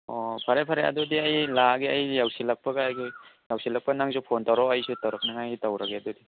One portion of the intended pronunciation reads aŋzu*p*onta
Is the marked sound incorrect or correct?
incorrect